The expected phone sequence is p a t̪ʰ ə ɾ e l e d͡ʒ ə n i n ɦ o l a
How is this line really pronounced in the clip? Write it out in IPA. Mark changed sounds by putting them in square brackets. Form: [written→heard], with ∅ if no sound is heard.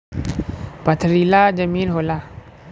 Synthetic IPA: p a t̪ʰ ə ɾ [e→i] l [e→a] d͡ʒ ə [n→m] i n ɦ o l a